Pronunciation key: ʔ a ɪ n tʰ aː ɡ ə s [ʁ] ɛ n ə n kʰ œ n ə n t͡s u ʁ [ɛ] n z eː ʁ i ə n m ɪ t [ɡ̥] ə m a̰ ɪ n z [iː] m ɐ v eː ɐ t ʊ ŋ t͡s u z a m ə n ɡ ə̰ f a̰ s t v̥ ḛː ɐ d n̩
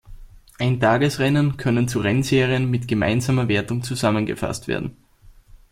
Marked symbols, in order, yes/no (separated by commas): yes, yes, yes, no